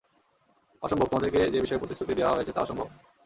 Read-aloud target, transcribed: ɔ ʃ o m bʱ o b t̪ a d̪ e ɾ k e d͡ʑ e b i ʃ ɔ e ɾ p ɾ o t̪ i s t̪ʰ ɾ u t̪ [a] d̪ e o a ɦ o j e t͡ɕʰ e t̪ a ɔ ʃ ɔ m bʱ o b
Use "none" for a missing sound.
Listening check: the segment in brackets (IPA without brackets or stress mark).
i